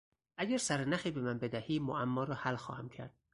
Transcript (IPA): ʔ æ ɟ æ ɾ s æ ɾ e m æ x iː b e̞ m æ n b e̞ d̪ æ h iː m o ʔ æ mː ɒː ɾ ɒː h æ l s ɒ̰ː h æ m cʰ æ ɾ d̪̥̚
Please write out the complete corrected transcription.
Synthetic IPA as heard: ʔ æ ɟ æ ɾ s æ ɾ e n æ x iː b e̞ m æ n b e̞ d̪ æ h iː m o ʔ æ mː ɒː ɾ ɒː h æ l x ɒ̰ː h æ m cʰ æ ɾ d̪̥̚